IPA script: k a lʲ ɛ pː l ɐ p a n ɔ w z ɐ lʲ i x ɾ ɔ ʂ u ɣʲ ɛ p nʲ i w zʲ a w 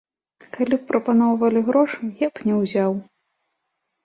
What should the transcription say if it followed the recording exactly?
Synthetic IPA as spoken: k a lʲ i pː ɾ ɐ p a n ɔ w v ɐ lʲ i ɣ ɾ ɔ ʂ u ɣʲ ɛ p nʲ ɛ w zʲ a w